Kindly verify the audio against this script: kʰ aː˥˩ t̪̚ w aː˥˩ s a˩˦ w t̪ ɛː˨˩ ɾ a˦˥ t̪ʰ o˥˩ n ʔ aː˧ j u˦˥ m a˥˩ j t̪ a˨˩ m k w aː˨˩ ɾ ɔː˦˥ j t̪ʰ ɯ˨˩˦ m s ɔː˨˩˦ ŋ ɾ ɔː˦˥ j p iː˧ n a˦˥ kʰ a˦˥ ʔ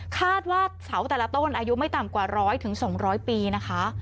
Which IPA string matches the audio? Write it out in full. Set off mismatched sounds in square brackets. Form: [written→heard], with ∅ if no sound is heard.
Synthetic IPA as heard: kʰ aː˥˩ t̪̚ w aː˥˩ s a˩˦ w t̪ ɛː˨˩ [ɾ→l] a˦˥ [t̪ʰ→t̪] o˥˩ n ʔ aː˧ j u˦˥ m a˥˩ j t̪ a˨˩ m k w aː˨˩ ɾ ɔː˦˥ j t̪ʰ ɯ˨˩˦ [m→ŋ] s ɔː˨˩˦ ŋ ɾ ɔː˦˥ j p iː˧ n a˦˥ kʰ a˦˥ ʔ